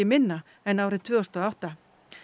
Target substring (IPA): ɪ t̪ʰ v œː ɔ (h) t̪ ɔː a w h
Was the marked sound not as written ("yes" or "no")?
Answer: yes